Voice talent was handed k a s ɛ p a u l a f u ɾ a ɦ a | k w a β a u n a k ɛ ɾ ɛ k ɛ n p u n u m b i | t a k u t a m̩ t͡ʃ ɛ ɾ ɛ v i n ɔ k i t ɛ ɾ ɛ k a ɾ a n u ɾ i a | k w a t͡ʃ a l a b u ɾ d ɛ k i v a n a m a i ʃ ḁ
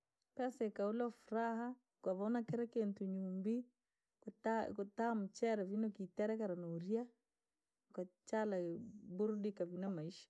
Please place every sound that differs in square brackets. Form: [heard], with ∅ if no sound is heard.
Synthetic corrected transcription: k a s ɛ [k] a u l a f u ɾ a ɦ a | k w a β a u n a k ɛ ɾ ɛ k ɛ n [t] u [ɲ] u m b i | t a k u t a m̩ t͡ʃ ɛ ɾ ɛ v i n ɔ k i t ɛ ɾ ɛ k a ɾ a n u ɾ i a | k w a t͡ʃ a l a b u ɾ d [i] k [a] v [i] n a m a i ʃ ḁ